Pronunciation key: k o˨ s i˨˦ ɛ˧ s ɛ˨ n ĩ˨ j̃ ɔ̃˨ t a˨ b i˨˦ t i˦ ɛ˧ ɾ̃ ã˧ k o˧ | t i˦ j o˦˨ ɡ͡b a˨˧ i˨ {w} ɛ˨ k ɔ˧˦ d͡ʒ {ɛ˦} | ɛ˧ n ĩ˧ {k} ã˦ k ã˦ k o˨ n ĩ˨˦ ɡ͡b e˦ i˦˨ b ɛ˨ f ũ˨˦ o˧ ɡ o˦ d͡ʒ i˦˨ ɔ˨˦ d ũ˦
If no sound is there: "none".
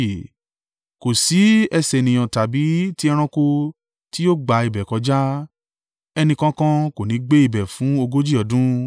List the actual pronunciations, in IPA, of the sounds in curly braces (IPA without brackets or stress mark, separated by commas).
b, a˦, k